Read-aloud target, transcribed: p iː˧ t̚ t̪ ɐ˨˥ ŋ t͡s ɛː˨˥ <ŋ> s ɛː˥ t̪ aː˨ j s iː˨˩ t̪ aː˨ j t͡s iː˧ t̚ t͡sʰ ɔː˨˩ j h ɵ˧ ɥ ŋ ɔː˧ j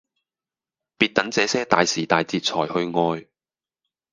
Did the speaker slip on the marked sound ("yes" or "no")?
yes